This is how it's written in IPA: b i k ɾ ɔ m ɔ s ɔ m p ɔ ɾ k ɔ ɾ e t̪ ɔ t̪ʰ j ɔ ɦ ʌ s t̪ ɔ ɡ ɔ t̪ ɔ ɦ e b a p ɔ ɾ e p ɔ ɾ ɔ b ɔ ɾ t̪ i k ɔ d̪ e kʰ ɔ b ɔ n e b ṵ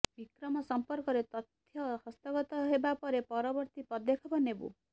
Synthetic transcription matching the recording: b i k ɾ ɔ m ɔ s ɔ m p ɔ ɾ k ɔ ɾ e t̪ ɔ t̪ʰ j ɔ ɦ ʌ s t̪ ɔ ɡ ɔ t̪ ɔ ɦ e b a p ɔ ɾ e p ɔ ɾ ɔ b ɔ ɾ t̪ i p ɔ d̪ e kʰ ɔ b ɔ n e b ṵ